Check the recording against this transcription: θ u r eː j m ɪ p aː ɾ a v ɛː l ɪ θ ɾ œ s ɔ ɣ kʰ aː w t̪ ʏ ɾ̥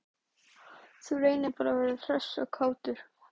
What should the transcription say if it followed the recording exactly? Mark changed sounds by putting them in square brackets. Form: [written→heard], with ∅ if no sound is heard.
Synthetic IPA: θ u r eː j [m→n] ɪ p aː ɾ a v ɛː [l→ɾ] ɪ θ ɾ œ s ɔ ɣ kʰ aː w t̪ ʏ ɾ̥